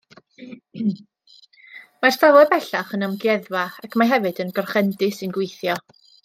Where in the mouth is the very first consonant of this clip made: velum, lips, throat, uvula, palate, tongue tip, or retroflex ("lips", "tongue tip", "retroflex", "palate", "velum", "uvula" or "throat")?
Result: lips